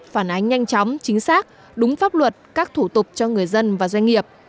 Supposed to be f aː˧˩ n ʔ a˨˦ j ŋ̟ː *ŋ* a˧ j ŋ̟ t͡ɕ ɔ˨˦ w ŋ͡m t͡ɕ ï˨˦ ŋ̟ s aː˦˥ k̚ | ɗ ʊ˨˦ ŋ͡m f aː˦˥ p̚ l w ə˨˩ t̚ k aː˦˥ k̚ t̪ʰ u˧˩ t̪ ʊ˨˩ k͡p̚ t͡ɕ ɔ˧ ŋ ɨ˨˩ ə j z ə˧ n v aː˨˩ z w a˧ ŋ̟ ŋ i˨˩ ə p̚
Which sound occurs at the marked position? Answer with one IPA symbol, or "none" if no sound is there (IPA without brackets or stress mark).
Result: ɲ